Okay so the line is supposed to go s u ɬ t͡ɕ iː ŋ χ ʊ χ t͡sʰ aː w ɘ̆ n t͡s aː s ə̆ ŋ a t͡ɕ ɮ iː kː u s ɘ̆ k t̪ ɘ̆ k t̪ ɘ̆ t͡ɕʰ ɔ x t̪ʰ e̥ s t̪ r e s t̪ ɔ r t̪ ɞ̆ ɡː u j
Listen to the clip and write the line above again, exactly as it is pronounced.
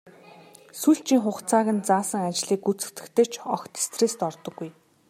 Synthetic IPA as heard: s u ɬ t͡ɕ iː ŋ χ ʊ χ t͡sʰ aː ɣ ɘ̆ n t͡s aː s ə̆ ŋ a t͡ɕ ɮ iː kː u t͡s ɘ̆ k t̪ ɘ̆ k t̪ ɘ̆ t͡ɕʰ ɔ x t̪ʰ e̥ s t̪ r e s t̪ ɔ r t̪ ɞ̆ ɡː u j